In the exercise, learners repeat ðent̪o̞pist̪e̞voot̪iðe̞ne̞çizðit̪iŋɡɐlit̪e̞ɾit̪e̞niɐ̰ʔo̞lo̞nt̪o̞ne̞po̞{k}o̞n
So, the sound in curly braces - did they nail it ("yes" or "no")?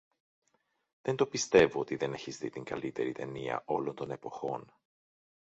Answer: no